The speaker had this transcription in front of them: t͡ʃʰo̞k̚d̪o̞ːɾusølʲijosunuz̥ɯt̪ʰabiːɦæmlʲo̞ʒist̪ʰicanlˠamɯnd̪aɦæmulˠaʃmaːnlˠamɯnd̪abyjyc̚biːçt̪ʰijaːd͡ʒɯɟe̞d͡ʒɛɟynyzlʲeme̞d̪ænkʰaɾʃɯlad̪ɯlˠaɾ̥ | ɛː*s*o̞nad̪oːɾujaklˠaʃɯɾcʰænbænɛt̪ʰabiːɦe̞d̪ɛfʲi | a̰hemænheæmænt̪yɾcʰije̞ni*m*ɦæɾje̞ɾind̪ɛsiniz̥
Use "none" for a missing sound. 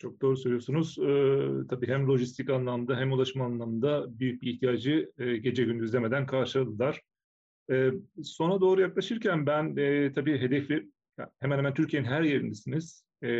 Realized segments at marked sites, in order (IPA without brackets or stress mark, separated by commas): s, n